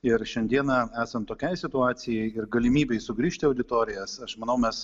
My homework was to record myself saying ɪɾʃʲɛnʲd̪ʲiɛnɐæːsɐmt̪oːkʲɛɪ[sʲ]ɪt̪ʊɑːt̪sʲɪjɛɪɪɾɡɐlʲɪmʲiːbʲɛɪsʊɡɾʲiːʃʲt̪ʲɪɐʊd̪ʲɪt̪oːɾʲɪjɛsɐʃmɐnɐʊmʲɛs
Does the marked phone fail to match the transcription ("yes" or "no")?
no